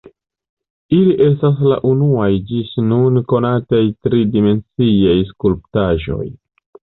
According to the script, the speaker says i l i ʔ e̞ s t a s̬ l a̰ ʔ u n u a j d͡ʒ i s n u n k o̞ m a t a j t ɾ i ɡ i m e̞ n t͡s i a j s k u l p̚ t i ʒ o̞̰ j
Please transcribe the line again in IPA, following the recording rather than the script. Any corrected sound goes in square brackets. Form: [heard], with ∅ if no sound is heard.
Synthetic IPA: i l i ʔ e̞ s t a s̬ l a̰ ʔ u n u a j d͡ʒ i s n u n k o̞ [n] a t a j t ɾ i [d] i m e̞ n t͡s i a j s k u l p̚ t [a] ʒ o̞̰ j